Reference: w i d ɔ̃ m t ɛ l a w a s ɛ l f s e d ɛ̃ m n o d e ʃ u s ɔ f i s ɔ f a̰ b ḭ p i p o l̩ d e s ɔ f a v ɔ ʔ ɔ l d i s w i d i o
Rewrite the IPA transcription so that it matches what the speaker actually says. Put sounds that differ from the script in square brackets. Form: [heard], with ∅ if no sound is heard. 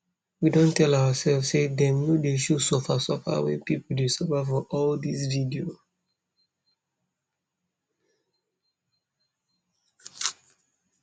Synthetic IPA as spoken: w i d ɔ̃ [n] t ɛ l a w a s ɛ l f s e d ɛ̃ m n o d e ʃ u s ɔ f [a] s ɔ f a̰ [w] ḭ p i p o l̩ d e s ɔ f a [f] ɔ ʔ ɔ l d i s [v] i d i o